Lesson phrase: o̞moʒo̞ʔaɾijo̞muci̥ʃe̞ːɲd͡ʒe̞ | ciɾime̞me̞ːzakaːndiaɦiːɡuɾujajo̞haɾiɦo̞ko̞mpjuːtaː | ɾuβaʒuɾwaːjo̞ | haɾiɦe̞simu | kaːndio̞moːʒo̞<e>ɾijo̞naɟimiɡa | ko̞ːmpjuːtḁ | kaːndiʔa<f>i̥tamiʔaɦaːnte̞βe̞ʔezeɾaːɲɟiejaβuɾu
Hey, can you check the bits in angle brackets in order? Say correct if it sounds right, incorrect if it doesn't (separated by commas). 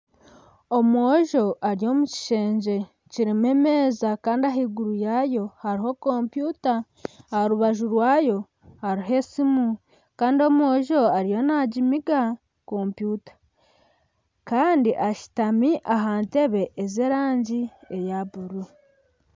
incorrect, incorrect